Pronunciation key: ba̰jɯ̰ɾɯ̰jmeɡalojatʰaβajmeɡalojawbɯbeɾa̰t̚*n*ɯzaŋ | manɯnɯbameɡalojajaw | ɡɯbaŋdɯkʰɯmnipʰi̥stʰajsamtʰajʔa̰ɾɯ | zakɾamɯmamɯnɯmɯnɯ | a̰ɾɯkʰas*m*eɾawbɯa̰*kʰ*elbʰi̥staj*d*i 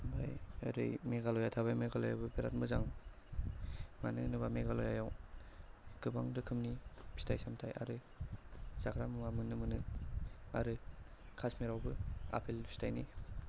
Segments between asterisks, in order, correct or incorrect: incorrect, correct, incorrect, incorrect

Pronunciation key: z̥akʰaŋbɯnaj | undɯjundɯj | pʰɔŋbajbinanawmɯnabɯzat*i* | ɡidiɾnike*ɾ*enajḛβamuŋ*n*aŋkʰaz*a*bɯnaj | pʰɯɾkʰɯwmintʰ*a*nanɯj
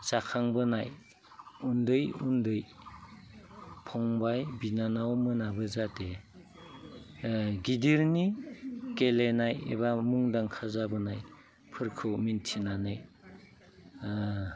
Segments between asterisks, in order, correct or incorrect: incorrect, incorrect, incorrect, correct, incorrect

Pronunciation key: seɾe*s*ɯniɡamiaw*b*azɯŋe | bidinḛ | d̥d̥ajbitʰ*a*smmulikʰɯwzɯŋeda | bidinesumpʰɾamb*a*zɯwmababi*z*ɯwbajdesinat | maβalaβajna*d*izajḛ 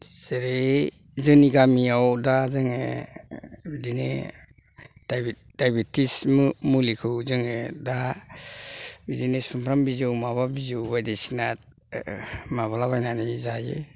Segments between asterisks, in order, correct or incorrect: incorrect, incorrect, incorrect, incorrect, correct, incorrect

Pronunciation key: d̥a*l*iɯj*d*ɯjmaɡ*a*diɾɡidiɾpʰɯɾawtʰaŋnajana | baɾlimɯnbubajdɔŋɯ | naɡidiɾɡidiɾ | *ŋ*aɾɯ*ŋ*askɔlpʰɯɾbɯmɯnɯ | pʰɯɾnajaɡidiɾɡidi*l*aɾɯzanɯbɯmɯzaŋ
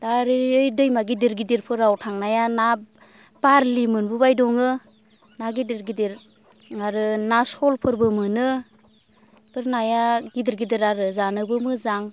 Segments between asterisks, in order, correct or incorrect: incorrect, correct, incorrect, correct, incorrect, incorrect

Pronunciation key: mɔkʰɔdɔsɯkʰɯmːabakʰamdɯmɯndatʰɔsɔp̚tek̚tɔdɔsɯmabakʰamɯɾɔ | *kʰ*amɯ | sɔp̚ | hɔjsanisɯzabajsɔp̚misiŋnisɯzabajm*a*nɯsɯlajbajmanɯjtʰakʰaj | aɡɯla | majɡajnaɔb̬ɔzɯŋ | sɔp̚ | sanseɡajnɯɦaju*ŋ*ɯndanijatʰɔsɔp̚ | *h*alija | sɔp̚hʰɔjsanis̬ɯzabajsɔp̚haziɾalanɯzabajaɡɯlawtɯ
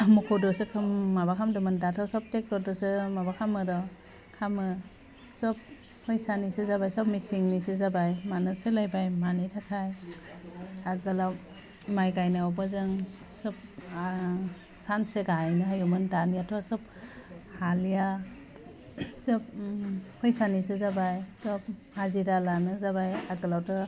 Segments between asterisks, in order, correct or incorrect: correct, correct, incorrect, correct

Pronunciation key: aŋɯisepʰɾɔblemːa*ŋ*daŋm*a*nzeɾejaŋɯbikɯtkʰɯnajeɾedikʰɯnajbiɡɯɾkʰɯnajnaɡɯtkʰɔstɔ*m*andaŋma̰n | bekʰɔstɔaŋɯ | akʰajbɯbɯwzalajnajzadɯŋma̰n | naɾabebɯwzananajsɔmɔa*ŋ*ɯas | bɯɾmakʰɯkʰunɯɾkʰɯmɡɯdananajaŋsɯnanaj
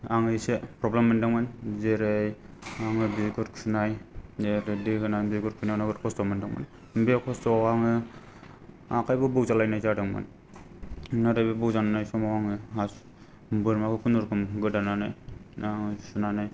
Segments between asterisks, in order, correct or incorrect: incorrect, correct, correct, correct

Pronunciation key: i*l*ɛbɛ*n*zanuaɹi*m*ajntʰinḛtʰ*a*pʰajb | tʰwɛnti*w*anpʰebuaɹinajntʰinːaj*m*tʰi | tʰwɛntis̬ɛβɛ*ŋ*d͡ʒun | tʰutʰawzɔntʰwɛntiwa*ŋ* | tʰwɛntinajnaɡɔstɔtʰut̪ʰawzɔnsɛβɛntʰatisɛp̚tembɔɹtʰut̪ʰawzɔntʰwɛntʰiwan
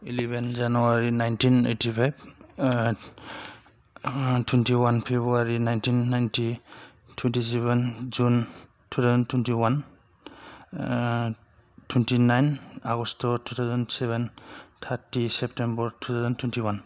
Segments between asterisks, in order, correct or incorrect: correct, correct, incorrect, incorrect, correct, incorrect, incorrect, incorrect

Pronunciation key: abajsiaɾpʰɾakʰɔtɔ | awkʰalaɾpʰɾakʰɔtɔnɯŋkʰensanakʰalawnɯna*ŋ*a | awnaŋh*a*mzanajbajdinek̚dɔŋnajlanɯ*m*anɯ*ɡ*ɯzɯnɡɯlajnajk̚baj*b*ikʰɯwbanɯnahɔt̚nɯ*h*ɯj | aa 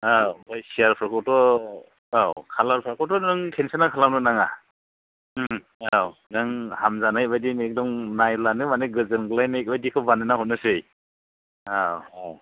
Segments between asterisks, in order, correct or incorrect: correct, correct, correct, correct, incorrect, incorrect

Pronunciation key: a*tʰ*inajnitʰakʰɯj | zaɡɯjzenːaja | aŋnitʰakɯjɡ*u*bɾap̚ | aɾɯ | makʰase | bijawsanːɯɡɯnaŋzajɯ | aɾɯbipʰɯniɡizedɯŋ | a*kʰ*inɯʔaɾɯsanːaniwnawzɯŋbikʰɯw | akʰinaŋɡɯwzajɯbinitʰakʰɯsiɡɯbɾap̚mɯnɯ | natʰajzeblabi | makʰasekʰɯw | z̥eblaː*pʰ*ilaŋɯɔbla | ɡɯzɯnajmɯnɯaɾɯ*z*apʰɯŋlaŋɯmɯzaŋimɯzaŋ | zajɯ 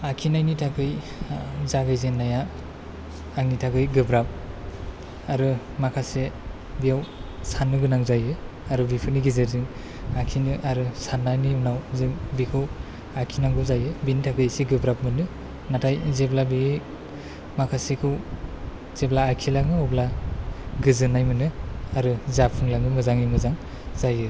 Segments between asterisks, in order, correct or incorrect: incorrect, incorrect, correct, incorrect, correct

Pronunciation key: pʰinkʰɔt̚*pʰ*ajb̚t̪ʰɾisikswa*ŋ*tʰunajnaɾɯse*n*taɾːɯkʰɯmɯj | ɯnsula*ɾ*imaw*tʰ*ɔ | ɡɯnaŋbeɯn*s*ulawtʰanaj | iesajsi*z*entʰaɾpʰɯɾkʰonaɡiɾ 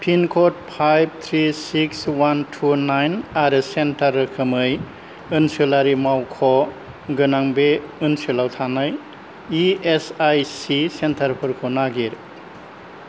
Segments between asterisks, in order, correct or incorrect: correct, incorrect, correct, correct, incorrect, correct, incorrect

